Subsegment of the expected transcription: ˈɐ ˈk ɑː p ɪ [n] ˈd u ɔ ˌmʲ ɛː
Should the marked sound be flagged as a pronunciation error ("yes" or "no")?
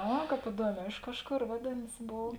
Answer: yes